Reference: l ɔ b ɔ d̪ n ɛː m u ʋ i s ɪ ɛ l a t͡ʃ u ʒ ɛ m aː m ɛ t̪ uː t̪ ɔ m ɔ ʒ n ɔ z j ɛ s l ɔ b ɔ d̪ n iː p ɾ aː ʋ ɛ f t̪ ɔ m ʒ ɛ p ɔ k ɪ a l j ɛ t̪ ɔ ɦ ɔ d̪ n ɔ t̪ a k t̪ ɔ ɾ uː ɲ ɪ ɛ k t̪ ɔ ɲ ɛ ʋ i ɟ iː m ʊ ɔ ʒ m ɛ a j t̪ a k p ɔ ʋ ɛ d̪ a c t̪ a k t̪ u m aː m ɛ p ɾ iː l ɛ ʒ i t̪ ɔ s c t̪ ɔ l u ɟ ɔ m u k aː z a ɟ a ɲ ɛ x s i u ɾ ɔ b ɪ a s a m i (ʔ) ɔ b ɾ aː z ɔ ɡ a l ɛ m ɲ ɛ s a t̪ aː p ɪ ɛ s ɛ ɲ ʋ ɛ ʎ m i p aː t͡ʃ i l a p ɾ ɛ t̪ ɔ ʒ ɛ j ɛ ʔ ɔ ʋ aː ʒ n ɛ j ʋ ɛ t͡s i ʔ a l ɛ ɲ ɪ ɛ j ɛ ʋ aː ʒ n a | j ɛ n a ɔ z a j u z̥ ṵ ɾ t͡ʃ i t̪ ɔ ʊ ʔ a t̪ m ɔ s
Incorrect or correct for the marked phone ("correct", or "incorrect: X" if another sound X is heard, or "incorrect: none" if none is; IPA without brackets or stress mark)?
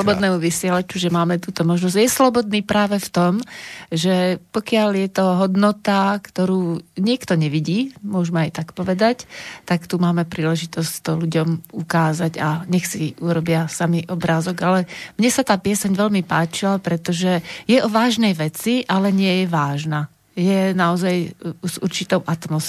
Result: correct